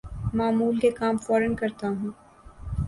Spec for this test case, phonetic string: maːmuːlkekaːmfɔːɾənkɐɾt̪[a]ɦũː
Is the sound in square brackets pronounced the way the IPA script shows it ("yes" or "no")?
yes